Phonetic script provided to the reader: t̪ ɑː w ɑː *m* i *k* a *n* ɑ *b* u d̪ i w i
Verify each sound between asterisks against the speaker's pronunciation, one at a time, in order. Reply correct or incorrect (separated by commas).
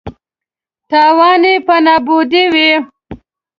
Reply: incorrect, incorrect, correct, correct